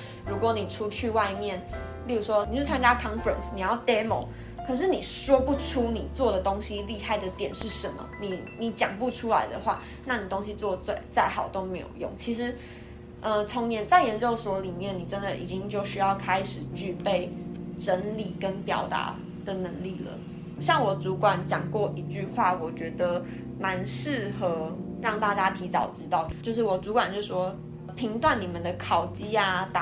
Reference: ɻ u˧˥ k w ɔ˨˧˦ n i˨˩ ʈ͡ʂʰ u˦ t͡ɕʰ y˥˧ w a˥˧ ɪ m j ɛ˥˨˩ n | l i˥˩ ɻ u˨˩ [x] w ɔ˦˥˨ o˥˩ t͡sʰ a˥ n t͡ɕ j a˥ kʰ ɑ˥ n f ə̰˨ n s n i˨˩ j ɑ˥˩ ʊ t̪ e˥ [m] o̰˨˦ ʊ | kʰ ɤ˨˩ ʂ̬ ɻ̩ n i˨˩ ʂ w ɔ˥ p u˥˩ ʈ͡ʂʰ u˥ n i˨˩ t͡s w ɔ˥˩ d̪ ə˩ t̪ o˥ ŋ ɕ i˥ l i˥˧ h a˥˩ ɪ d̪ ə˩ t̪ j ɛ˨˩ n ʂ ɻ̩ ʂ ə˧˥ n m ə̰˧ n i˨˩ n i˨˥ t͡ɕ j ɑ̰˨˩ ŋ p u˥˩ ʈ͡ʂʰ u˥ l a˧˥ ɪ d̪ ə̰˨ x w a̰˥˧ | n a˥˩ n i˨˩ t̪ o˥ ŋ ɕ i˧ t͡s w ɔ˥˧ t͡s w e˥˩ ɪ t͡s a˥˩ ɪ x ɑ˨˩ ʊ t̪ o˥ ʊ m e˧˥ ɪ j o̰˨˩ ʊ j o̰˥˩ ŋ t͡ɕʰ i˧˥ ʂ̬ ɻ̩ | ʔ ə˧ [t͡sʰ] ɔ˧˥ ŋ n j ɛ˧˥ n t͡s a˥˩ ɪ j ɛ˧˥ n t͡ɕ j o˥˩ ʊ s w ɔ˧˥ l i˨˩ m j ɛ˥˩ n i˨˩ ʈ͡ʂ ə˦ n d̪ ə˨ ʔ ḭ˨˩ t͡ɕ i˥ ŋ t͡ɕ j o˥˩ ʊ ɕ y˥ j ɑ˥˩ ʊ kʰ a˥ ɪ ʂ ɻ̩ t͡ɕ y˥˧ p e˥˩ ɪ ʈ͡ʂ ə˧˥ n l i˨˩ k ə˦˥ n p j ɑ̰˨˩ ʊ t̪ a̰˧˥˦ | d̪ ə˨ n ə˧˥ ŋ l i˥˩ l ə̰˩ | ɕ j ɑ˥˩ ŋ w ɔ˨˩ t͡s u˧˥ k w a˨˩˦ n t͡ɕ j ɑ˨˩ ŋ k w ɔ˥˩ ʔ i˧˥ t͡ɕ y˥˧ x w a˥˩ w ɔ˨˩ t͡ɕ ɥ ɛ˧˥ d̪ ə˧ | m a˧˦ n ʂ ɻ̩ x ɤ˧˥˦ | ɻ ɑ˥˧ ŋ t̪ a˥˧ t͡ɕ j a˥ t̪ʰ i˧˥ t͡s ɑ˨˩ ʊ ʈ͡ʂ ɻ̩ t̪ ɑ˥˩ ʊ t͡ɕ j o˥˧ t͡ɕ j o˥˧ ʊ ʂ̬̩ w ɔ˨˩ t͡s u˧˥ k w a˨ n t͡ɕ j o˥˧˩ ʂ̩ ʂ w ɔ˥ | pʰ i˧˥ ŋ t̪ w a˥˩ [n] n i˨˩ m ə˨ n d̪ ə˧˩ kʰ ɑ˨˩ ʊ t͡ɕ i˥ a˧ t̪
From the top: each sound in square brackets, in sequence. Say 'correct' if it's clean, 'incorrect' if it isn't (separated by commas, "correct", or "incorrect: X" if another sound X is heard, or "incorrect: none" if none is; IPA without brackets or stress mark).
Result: incorrect: ʂ, correct, correct, correct